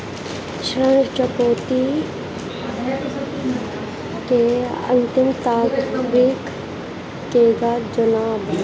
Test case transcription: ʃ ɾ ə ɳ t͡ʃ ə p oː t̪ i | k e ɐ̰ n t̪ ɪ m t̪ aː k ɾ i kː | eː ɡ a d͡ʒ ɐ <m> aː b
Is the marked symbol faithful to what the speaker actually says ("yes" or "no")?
no